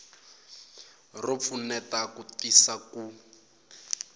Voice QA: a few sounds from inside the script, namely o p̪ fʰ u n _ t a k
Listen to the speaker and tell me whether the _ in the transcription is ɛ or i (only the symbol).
ɛ